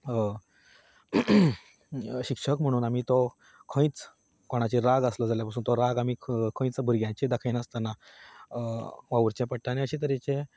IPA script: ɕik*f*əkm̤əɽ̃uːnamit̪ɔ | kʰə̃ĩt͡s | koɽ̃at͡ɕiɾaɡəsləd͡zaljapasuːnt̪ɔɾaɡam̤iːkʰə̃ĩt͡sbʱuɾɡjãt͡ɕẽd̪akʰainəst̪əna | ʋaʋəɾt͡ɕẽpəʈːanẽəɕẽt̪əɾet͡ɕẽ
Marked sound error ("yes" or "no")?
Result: yes